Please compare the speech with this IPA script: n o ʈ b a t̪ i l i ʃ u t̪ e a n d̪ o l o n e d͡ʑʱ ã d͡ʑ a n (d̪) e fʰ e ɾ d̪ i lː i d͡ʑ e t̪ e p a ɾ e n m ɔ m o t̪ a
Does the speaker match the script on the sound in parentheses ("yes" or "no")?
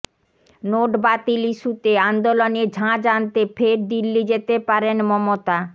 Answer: no